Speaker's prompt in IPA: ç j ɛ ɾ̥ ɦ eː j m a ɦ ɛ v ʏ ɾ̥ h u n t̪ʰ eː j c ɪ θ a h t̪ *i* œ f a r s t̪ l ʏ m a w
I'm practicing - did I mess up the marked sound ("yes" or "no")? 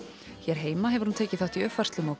no